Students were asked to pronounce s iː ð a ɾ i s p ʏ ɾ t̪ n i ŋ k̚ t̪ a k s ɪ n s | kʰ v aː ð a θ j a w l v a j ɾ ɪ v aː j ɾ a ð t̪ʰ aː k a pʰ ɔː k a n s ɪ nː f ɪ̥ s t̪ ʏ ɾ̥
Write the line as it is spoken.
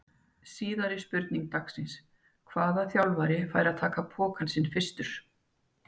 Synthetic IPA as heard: s iː ð a ɾ ɪ s p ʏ ɾ t̪ n i ŋ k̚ t̪ a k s ɪ n s | kʰ v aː ð a θ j a w l v a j ɾ ɪ f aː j ɾ a ð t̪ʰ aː k a pʰ ɔː k a n s ɪ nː f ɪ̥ s t̪ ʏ ɾ̥